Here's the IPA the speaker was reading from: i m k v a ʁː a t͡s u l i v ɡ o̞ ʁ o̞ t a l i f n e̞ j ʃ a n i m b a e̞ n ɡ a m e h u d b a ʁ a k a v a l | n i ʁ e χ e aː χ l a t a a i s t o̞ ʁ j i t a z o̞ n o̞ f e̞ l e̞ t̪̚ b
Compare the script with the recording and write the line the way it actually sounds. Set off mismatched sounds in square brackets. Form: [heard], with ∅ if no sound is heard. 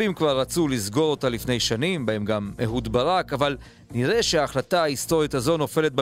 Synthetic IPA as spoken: i m k v a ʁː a t͡s u l i [z] ɡ o̞ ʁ o̞ t a l i f n e̞ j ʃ a n i m b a e̞ [m] ɡ a m e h u d b a ʁ a k a v a l | n i ʁ e [ʃ] e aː χ l a t a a i s t o̞ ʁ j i t a z o̞ n o̞ f e̞ l e̞ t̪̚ b